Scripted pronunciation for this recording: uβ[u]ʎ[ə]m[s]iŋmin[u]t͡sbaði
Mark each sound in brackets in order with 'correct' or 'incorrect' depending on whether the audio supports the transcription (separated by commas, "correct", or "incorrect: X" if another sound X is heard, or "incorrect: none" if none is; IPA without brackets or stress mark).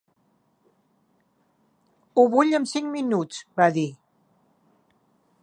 correct, correct, correct, correct